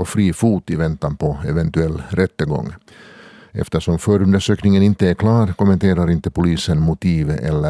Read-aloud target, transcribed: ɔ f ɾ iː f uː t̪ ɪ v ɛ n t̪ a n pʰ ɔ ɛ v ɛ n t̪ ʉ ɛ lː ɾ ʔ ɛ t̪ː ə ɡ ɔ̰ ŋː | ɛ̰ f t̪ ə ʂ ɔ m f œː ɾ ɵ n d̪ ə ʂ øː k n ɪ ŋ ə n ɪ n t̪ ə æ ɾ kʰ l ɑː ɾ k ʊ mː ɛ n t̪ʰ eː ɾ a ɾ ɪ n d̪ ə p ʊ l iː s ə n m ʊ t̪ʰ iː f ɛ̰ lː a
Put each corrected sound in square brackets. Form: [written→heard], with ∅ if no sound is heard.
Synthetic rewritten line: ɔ f ɾ iː f uː t̪ ɪ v ɛ n t̪ a n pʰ ɔ ɛ v ɛ n t̪ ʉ ɛ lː ɾ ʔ ɛ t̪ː ə ɡ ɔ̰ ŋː | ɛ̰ f t̪ ə ʂ ɔ m f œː ɾ ɵ n d̪ ə ʂ øː k n ɪ ŋ ə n ɪ n t̪ ə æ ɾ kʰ l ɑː ɾ k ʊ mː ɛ n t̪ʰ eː ɾ a ɾ ɪ n [d̪→t̪] ə p ʊ l iː s ə n m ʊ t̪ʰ iː [f→v] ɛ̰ lː [a→ə]